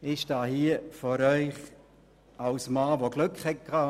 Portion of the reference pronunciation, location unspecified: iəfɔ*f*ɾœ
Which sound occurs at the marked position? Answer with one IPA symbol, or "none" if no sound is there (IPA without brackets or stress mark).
none